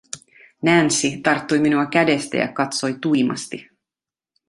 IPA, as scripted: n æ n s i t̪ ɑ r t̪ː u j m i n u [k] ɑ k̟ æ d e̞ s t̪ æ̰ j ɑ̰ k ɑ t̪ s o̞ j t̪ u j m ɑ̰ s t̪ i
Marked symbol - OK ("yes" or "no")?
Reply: no